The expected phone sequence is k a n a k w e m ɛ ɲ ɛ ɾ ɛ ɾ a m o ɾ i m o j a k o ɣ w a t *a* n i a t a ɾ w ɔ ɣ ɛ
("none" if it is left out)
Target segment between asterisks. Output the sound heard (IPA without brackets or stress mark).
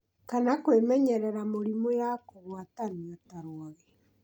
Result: a